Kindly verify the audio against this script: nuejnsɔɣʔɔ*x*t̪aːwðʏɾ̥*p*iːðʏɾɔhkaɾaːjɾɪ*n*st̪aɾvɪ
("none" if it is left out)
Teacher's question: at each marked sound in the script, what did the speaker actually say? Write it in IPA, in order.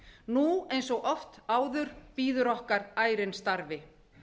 f, p, n

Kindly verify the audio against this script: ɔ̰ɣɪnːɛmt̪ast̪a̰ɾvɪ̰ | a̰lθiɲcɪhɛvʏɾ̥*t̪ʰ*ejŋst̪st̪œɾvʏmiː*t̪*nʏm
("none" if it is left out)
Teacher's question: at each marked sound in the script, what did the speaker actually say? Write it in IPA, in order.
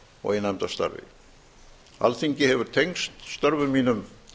t̪ʰ, none

